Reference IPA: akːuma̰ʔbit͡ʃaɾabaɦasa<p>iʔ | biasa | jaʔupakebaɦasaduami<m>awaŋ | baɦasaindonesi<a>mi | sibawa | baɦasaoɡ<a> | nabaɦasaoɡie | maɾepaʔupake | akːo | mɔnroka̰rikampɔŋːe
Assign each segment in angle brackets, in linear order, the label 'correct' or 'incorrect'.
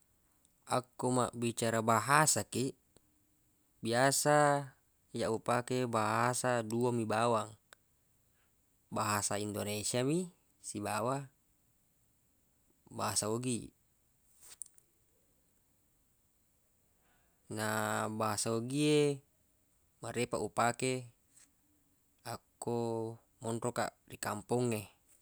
incorrect, incorrect, correct, incorrect

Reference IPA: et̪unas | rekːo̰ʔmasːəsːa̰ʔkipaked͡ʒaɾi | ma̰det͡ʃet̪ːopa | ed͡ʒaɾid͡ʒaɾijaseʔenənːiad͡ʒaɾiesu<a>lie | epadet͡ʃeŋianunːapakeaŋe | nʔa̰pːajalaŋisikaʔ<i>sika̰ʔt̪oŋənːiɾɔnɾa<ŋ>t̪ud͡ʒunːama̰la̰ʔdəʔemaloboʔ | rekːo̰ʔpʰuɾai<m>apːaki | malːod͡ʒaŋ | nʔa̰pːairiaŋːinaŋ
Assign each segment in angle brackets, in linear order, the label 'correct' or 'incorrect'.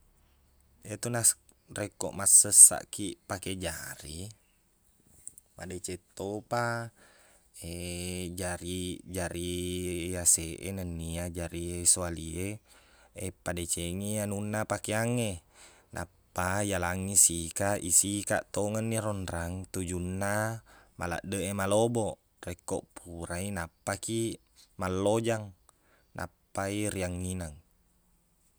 correct, correct, correct, incorrect

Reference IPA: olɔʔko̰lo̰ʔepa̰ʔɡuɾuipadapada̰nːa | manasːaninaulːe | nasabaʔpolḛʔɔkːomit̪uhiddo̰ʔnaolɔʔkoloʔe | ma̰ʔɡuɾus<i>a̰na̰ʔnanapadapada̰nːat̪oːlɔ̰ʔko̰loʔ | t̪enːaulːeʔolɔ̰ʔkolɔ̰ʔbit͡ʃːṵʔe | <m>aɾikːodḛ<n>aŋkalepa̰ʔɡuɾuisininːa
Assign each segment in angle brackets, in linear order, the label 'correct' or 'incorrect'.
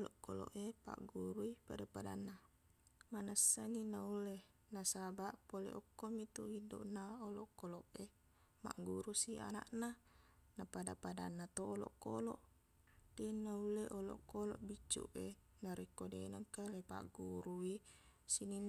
correct, incorrect, correct

